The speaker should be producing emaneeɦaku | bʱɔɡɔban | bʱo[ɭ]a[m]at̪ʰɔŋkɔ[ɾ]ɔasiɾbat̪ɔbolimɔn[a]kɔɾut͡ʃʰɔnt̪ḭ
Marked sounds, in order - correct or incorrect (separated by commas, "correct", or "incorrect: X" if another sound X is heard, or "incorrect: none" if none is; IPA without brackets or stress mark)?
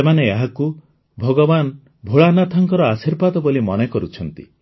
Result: correct, incorrect: n, correct, incorrect: e